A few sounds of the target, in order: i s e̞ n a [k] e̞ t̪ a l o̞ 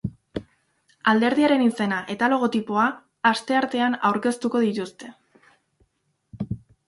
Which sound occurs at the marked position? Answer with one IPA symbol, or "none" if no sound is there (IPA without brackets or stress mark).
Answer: ʔ